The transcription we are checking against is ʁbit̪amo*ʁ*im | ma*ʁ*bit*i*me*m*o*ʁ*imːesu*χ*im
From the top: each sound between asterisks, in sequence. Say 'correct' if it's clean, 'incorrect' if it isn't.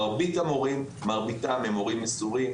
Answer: correct, correct, incorrect: a, correct, correct, incorrect: ʁ

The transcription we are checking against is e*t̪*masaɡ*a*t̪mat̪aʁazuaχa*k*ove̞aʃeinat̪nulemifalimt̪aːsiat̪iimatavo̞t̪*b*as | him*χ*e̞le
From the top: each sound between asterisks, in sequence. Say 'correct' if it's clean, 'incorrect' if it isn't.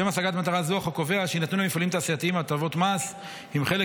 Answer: incorrect: none, correct, correct, incorrect: m, correct

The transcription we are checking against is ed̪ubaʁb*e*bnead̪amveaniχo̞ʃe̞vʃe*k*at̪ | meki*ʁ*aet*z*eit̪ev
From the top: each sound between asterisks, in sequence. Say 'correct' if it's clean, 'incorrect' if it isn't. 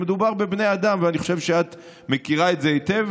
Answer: correct, incorrect: none, correct, correct

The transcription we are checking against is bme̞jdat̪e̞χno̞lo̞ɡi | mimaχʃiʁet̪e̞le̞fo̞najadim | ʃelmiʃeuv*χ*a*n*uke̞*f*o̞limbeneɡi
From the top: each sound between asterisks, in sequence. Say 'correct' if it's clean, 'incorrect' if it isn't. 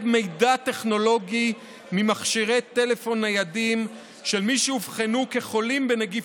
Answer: correct, correct, incorrect: χ

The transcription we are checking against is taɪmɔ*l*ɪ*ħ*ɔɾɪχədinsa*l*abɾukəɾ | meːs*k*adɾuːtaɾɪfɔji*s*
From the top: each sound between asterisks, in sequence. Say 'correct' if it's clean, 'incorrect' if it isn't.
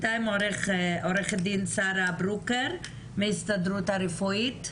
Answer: incorrect: ɾ, incorrect: χ, incorrect: ɾ, incorrect: t, incorrect: t

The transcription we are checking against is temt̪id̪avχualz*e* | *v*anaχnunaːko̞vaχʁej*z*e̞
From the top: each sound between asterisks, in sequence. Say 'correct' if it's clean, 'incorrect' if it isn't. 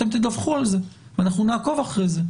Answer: correct, correct, correct

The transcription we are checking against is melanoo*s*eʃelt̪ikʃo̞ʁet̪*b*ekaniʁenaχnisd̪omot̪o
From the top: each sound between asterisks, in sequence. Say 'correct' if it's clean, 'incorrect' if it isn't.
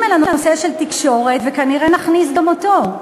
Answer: correct, incorrect: v

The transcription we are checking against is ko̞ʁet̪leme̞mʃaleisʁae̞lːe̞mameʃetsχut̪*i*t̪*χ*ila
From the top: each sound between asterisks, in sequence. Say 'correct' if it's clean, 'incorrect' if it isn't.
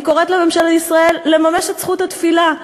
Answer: incorrect: a, incorrect: f

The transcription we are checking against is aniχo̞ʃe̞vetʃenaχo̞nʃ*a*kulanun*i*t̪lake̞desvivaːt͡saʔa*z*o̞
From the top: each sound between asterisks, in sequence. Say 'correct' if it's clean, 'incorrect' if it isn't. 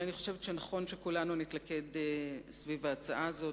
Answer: incorrect: e, correct, correct

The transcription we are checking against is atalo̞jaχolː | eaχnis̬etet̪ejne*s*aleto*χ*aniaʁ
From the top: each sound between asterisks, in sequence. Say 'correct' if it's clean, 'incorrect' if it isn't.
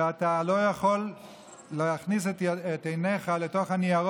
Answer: incorrect: χ, correct

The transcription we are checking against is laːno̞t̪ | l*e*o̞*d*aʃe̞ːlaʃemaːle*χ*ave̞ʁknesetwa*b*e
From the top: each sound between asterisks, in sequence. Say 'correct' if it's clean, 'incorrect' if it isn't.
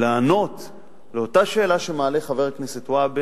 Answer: correct, incorrect: t, correct, correct

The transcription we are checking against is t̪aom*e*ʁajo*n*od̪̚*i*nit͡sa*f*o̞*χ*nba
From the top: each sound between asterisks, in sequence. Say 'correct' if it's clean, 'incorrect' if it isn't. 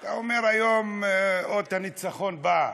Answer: correct, incorrect: m, incorrect: a, incorrect: χ, incorrect: none

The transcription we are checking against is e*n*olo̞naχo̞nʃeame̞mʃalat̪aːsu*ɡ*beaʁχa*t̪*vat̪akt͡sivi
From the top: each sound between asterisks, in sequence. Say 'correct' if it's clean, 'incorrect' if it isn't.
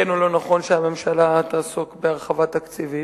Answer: correct, incorrect: k, incorrect: none

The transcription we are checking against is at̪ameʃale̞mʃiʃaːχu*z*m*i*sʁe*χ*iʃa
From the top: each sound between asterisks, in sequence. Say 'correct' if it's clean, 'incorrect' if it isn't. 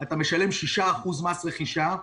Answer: correct, incorrect: a, correct

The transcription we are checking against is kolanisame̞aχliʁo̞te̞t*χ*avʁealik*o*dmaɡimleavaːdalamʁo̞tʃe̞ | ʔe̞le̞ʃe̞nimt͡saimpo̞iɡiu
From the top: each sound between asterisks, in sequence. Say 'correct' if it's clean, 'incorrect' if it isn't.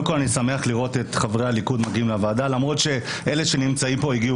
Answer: correct, incorrect: u

